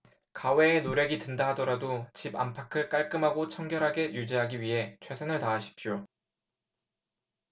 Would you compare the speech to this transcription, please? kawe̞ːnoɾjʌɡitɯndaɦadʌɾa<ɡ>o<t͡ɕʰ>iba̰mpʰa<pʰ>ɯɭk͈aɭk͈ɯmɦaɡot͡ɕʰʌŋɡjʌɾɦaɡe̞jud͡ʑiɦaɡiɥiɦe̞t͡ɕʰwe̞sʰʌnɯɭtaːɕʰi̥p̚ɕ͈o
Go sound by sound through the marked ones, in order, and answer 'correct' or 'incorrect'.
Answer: incorrect, incorrect, incorrect

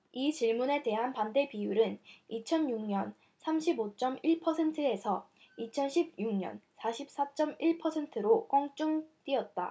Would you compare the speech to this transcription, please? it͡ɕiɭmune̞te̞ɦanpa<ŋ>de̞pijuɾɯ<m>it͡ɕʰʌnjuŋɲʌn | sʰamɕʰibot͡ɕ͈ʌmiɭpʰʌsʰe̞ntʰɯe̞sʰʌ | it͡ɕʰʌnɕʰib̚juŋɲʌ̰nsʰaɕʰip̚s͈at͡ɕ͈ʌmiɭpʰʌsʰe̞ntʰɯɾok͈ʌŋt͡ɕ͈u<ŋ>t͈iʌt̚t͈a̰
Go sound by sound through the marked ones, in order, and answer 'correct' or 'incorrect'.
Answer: incorrect, incorrect, correct

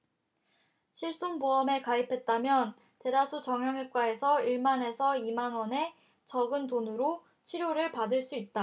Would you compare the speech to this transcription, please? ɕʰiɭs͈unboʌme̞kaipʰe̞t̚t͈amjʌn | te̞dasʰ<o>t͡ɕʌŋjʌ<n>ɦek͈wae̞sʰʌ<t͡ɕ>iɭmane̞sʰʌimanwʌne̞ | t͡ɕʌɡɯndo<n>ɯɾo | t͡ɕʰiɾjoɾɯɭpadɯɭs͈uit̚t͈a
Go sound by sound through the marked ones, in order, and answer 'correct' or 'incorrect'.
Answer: incorrect, incorrect, incorrect, correct

